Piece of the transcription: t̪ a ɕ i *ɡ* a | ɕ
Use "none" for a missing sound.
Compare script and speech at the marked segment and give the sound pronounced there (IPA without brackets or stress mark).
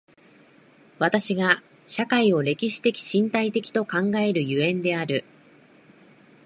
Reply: ɡ